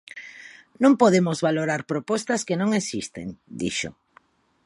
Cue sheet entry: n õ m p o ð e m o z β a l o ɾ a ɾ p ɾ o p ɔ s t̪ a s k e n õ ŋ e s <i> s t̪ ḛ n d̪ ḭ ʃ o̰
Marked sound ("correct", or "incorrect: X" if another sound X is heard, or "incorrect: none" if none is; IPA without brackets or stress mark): correct